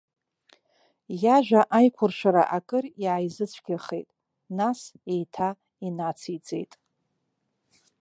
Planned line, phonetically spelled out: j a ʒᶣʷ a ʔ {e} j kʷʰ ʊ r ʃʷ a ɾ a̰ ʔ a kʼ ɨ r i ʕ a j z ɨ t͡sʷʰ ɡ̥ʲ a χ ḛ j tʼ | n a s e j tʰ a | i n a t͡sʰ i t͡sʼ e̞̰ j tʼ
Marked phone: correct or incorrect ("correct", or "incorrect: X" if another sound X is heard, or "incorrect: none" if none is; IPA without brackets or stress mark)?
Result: incorrect: a